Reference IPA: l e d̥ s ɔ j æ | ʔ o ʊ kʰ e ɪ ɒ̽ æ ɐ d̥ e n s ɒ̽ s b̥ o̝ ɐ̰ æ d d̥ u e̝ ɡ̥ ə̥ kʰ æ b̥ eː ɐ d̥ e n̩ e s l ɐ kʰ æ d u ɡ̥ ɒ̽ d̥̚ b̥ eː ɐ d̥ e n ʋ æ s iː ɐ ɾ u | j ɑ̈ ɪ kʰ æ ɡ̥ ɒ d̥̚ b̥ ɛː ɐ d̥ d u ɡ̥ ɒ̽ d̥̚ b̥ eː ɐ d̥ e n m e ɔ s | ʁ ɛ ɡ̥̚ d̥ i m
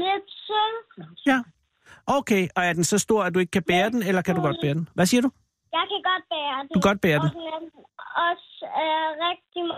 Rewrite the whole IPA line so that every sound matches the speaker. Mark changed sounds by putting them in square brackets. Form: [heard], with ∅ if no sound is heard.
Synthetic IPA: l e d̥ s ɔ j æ | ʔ o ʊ kʰ e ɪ ɒ̽ æ ɐ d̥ e n s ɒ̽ s [d̥] o̝ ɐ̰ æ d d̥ u e̝ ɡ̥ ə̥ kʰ æ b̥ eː ɐ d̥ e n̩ e [∅] l ɐ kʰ æ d u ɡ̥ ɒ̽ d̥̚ b̥ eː ɐ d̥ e n ʋ æ s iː ɐ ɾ u | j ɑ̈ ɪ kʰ æ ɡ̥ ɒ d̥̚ b̥ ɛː ɐ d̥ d u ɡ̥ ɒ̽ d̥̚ b̥ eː ɐ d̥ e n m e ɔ s | ʁ ɛ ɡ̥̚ d̥ i m